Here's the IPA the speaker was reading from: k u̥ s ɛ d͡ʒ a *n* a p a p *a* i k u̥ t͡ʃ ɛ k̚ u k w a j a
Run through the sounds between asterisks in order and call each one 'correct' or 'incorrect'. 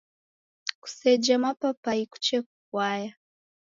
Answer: incorrect: m, correct

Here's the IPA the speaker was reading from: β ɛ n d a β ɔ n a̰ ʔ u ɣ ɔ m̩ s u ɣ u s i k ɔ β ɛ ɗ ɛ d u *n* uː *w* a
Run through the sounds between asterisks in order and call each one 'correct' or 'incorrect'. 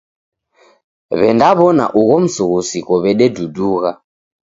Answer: incorrect: d, incorrect: ɣ

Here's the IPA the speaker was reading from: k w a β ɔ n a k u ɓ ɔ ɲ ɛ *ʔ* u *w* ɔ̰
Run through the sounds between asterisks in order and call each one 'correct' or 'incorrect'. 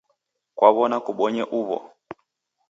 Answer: correct, incorrect: β

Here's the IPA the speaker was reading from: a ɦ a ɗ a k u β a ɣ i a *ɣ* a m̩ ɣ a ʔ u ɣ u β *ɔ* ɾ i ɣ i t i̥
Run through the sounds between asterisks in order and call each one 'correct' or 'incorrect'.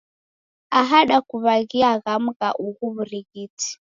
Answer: correct, incorrect: u

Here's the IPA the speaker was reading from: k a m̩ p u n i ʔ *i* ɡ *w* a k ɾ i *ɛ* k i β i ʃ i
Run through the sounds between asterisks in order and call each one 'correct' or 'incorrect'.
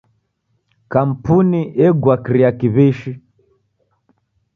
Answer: incorrect: ɛ, correct, incorrect: a

